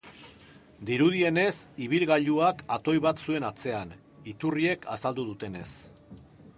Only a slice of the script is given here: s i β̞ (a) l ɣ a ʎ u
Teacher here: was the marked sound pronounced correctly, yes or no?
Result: no